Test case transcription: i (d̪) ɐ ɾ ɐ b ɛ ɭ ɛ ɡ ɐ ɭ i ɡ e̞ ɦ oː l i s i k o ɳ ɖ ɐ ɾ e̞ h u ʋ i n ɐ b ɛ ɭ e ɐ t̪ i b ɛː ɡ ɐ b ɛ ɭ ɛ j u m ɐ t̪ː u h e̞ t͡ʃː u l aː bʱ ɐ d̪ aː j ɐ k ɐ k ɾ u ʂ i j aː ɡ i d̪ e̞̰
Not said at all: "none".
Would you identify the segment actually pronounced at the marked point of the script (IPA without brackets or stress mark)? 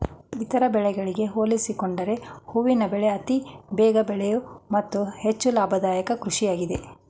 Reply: t̪